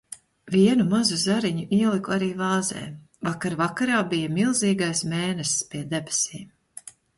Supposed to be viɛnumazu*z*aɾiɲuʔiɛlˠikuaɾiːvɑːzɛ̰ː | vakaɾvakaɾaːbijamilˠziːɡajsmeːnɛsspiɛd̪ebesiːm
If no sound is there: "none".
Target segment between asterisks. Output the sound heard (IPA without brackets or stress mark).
z